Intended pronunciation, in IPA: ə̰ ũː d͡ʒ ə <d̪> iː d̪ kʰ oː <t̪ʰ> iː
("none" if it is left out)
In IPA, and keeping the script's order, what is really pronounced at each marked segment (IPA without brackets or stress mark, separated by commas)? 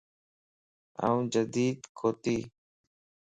d̪, t̪